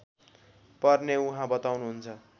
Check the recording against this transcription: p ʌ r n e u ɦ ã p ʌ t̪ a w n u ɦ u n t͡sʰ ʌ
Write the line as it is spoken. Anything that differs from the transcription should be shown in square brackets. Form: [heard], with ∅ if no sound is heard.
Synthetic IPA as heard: p ʌ r n e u ɦ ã [b] ʌ t̪ a w n u ɦ u n t͡sʰ ʌ